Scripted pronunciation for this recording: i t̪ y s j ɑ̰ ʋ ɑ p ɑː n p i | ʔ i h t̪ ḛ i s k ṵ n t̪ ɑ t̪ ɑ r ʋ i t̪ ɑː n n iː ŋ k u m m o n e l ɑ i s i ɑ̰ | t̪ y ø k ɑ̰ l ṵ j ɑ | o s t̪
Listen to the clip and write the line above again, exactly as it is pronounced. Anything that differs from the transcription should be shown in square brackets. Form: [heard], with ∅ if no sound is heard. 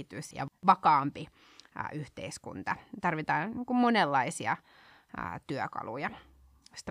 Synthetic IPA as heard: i t̪ y s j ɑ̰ ʋ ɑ [k] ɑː [m] p i | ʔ [y] h t̪ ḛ i s k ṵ n t̪ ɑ t̪ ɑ r ʋ i t̪ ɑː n n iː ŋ k u m m o n e [lː] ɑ i s i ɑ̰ | t̪ y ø k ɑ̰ l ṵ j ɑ | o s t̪